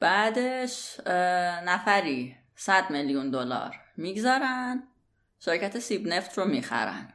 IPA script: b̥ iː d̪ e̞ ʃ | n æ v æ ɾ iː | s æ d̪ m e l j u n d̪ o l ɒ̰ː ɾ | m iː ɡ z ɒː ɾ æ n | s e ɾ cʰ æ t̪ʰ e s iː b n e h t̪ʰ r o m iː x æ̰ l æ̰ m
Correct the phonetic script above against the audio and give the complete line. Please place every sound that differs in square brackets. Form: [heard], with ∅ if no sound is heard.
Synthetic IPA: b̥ [æː] d̪ e̞ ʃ | n æ [f] æ ɾ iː | s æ d̪ m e l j u n d̪ o l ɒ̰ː ɾ | m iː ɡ z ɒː ɾ æ n | [ʃ] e ɾ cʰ æ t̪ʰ e s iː b n e [f] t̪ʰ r o m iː x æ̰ [ɾ] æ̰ [n]